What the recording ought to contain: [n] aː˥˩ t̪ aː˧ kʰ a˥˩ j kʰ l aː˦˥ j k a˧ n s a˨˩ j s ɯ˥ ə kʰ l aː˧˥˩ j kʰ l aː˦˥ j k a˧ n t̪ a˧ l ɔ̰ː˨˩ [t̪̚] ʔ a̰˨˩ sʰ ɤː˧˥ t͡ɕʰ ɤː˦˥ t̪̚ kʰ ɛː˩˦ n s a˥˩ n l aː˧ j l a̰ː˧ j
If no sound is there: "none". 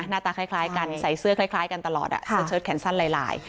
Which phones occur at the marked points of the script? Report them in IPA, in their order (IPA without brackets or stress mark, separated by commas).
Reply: n, t̪̚